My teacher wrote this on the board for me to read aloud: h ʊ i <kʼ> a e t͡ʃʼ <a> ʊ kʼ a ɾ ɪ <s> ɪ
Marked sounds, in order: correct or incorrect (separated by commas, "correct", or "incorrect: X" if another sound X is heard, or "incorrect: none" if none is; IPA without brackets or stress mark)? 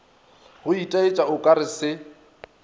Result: incorrect: tʼ, correct, correct